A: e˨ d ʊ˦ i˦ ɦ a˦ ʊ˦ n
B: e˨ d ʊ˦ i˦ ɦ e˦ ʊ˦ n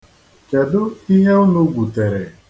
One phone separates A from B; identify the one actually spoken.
B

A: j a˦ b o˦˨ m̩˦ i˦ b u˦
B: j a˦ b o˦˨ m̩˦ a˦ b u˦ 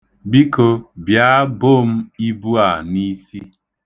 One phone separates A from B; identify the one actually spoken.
A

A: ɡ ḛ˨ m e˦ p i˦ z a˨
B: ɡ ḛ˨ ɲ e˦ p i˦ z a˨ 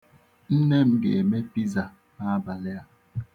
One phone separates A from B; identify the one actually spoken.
A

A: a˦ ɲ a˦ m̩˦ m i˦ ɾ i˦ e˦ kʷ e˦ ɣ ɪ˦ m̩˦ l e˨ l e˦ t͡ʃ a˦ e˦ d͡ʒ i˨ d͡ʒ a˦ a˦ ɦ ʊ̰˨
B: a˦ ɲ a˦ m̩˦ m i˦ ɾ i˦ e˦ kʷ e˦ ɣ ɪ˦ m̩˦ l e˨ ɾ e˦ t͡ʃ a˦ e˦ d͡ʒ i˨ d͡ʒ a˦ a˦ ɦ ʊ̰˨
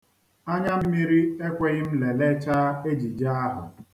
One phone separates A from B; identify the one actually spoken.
A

